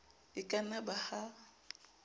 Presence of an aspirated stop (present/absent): absent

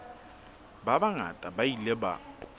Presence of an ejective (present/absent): present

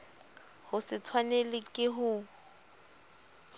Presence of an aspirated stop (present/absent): present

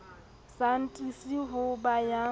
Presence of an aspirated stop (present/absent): absent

